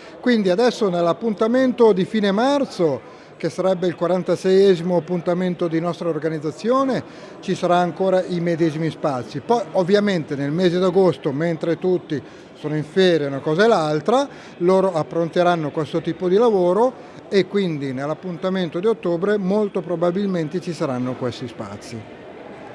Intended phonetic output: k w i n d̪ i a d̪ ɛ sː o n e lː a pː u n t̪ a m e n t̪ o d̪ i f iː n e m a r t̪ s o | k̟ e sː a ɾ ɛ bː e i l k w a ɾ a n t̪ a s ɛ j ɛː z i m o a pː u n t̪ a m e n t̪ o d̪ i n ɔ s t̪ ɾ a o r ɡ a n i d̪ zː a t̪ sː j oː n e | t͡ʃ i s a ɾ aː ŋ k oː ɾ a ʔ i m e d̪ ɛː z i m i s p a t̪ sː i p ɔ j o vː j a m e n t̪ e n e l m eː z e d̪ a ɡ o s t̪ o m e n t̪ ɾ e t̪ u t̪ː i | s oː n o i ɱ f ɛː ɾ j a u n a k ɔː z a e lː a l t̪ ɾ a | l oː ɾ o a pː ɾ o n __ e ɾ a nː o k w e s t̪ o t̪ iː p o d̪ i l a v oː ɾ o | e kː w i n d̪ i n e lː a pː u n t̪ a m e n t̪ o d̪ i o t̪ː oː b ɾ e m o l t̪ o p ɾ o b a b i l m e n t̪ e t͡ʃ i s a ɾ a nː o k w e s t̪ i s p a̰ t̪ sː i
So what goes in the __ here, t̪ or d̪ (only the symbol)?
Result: t̪